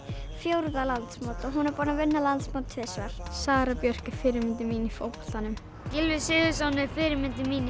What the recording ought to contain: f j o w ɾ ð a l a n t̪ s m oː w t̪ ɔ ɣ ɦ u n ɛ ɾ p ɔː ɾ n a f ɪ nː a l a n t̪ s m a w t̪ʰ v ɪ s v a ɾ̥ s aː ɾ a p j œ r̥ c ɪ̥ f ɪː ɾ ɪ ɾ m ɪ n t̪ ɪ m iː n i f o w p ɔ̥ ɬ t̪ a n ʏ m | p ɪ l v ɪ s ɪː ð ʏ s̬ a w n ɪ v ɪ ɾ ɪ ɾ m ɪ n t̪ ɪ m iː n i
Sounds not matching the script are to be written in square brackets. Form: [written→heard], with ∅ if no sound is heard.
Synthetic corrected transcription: f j o w ɾ ð a l a n t̪ s m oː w t̪ ɔ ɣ ɦ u n ɛ ɾ p ɔː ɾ n a [f→v] ɪ nː a l a n t̪ s m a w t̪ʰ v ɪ s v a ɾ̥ s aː ɾ a p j œ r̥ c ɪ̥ f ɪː ɾ ɪ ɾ m ɪ n t̪ ɪ m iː n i f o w p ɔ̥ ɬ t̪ a n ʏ m | [p→c] ɪ l v ɪ s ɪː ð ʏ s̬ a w n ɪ [v→f] ɪ ɾ ɪ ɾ m ɪ n t̪ ɪ m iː n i